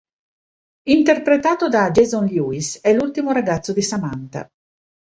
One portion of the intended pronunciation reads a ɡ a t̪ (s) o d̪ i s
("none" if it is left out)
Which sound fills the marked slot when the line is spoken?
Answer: sː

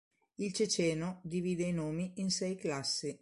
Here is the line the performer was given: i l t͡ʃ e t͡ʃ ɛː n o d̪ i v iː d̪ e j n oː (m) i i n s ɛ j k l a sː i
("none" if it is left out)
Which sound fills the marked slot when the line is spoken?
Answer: m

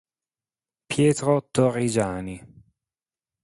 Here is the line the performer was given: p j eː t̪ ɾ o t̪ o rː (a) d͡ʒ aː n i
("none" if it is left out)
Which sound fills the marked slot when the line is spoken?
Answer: i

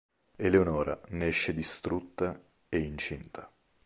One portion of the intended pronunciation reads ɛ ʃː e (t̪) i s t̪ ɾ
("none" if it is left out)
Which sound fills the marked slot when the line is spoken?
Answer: d̪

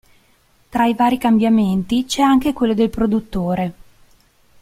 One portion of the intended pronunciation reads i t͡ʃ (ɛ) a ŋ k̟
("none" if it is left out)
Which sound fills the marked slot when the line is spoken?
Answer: ɛ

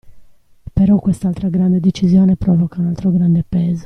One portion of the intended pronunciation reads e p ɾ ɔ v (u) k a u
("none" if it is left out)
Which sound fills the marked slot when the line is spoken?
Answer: ɔ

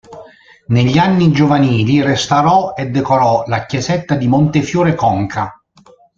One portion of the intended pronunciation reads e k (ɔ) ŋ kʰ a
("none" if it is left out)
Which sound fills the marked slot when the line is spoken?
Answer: ɔ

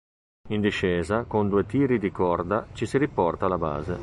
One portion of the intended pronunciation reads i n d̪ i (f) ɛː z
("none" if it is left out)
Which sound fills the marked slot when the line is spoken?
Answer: ʃ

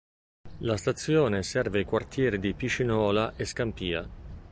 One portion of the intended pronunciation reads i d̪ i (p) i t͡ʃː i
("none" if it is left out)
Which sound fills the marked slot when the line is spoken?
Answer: p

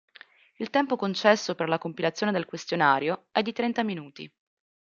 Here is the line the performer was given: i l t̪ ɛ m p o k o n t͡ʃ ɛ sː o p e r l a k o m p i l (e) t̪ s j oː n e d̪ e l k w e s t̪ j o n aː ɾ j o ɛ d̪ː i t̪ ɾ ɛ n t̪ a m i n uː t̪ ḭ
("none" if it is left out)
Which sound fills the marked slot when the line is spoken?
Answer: a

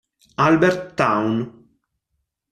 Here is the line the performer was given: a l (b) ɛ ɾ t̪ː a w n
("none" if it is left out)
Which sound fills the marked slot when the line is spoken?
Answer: b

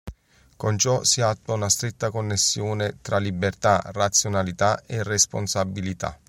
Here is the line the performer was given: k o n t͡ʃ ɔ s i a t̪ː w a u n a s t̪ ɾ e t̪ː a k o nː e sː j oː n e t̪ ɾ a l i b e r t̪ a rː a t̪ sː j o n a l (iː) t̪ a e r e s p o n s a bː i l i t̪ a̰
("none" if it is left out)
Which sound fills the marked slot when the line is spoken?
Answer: i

